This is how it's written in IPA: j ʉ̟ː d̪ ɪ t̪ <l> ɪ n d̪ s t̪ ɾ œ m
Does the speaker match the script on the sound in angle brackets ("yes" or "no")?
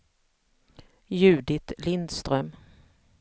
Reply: yes